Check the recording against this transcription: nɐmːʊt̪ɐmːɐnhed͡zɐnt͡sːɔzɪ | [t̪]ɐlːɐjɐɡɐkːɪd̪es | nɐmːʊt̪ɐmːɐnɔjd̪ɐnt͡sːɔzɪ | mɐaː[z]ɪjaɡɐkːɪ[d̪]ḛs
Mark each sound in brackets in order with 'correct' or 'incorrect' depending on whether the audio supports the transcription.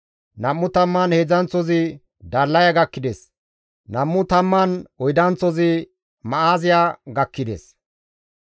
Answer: incorrect: d̪, correct, correct

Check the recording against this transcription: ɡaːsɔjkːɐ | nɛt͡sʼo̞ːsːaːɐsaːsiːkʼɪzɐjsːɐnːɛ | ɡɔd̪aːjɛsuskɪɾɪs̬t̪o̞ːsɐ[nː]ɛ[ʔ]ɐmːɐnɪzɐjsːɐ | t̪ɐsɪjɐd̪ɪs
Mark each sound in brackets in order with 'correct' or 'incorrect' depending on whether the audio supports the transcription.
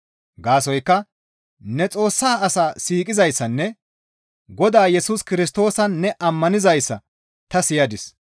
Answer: correct, correct

